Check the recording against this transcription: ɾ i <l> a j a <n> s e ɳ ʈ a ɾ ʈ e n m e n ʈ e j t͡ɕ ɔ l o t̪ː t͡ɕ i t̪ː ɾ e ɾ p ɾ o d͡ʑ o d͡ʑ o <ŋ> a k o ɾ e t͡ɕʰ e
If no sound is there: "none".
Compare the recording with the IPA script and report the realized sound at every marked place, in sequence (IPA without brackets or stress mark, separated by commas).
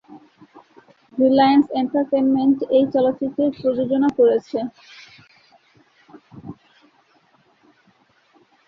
l, n, n